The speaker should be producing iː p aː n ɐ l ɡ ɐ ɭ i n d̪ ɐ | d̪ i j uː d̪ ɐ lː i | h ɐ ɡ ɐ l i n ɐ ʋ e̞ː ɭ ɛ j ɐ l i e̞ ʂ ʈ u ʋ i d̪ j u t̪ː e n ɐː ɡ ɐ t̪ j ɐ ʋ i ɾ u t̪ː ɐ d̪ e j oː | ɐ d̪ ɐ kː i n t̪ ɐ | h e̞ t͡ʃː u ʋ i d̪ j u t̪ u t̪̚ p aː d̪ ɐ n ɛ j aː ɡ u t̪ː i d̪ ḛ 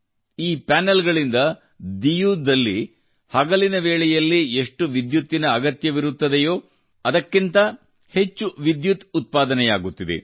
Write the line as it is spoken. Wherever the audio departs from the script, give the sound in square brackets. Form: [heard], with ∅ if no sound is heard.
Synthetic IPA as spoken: iː p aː n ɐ l ɡ ɐ ɭ i n d̪ ɐ | d̪ i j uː d̪ ɐ lː i | h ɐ ɡ ɐ l i n ɐ ʋ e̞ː ɭ ɛ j ɐ [lː] i e̞ ʂ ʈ u ʋ i d̪ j u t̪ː [i] n ɐː ɡ ɐ t̪ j ɐ ʋ i ɾ u t̪ː ɐ d̪ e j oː | ɐ d̪ ɐ kː i n t̪ ɐ | h e̞ t͡ʃː u ʋ i d̪ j u t̪ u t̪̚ p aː d̪ ɐ n ɛ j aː ɡ u t̪ː i d̪ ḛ